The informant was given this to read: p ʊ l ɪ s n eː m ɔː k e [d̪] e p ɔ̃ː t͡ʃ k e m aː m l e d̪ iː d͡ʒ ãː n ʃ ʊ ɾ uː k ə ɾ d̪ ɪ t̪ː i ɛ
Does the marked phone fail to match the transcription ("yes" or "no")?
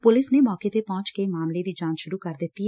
yes